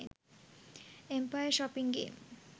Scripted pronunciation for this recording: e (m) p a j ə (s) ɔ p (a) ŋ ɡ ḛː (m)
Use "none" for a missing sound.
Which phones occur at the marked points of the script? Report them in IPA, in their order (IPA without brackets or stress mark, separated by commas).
m, ʃ, i, m